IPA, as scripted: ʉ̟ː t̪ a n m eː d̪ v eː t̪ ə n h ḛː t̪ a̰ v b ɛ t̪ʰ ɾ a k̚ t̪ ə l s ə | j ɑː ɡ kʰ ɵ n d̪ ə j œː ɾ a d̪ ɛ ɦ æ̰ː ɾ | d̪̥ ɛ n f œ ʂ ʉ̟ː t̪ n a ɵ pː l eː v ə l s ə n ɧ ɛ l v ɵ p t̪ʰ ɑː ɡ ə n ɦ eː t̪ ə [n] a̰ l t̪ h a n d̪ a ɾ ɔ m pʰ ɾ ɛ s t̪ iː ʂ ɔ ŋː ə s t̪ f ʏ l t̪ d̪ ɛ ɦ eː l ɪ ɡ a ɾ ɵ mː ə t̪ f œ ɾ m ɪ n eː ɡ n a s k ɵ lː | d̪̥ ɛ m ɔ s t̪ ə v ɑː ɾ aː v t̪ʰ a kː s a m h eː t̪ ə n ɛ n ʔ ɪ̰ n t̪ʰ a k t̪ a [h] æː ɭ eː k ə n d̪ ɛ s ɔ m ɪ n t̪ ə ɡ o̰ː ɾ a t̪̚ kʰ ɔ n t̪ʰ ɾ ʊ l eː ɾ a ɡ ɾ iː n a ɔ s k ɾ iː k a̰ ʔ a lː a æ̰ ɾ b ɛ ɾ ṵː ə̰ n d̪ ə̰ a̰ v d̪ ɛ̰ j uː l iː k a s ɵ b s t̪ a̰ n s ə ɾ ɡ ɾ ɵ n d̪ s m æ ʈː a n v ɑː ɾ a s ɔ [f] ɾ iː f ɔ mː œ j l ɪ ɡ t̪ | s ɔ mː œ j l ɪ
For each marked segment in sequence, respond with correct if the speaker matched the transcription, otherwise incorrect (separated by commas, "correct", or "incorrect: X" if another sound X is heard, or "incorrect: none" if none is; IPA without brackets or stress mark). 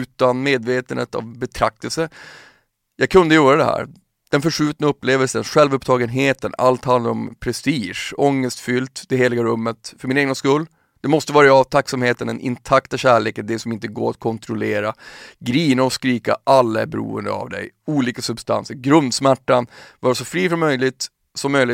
correct, incorrect: ɕ, correct